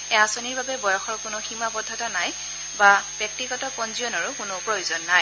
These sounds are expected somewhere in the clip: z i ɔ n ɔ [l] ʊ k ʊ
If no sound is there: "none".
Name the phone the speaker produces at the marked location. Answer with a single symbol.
ɹ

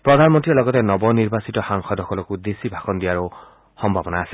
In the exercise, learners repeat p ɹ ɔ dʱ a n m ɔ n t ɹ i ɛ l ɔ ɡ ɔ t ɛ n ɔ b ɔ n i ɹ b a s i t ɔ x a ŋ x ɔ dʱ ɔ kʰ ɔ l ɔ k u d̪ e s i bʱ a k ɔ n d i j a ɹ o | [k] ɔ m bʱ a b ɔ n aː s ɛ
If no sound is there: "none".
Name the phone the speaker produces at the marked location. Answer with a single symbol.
x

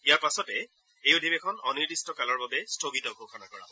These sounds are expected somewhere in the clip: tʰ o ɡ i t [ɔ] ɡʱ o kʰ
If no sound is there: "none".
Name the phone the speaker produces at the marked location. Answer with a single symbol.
ɔ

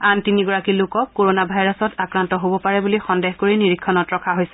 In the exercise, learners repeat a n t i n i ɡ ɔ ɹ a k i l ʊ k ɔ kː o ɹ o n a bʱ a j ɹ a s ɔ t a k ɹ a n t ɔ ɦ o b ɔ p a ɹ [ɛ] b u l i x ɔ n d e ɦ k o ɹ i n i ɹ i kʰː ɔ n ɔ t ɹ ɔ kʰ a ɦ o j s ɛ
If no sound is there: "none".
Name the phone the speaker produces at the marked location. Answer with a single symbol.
ɛ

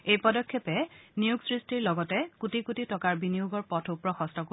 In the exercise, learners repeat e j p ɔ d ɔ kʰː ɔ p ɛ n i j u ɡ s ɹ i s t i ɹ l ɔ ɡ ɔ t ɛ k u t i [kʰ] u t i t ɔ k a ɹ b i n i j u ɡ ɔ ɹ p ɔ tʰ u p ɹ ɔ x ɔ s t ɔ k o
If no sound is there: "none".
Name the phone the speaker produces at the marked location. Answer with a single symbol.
k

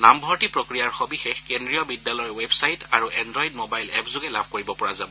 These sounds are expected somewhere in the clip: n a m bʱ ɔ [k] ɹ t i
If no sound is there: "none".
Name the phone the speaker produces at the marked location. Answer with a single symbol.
none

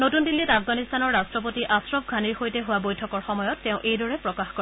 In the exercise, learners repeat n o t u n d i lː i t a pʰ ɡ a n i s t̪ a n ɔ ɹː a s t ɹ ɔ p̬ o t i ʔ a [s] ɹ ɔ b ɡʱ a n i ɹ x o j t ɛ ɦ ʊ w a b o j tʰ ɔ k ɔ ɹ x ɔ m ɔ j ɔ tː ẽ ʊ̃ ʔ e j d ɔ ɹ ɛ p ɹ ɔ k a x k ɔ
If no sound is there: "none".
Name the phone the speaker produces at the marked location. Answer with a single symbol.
s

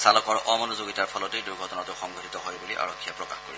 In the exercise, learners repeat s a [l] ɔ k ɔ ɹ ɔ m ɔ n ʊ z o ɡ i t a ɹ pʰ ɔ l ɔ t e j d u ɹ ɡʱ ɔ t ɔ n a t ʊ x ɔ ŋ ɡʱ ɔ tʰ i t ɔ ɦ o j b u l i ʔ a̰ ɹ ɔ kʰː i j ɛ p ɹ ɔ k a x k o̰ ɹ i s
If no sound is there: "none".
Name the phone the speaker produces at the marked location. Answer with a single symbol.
l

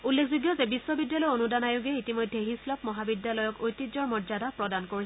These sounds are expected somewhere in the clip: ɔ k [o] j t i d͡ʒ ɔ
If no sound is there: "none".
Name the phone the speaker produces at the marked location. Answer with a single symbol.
o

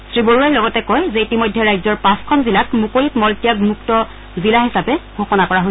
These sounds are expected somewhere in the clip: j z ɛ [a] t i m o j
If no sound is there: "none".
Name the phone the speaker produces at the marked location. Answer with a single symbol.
i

